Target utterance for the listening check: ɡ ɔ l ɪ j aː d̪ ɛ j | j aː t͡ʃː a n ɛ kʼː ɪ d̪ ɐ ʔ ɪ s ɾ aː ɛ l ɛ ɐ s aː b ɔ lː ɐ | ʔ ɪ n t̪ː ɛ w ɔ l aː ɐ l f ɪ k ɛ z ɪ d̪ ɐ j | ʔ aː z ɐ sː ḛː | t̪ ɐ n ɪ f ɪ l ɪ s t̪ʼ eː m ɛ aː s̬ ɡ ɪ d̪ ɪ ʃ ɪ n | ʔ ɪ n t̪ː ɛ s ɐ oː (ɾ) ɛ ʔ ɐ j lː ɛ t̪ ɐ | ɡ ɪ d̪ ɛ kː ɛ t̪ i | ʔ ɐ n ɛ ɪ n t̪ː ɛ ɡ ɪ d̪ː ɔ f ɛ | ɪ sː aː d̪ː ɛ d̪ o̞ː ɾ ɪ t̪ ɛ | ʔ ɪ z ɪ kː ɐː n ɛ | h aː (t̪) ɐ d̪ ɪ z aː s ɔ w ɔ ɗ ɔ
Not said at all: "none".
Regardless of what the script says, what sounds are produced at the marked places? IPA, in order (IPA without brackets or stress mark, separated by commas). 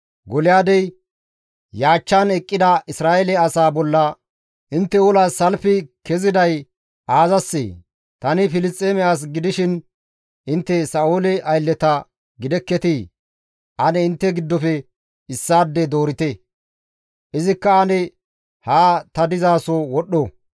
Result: l, t̪